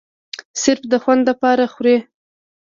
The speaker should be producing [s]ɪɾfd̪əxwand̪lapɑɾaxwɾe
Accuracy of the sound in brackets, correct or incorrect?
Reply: correct